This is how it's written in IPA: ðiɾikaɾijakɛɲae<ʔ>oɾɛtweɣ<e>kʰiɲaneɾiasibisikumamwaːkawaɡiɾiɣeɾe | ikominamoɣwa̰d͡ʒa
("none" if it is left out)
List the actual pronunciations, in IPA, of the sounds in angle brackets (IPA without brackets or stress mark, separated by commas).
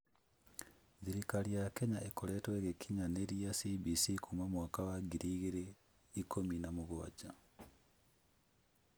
k, e